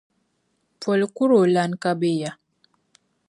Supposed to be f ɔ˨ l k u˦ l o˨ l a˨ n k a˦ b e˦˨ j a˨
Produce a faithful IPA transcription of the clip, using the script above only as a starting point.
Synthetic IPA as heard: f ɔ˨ l k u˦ ɾ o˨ l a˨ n k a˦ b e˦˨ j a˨